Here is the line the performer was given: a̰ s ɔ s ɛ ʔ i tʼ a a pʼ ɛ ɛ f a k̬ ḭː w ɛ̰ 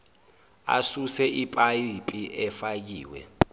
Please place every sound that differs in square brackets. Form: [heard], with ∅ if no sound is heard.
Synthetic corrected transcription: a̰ s [u] s ɛ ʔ i [pʼ] a [i] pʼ [i] ɛ f a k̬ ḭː w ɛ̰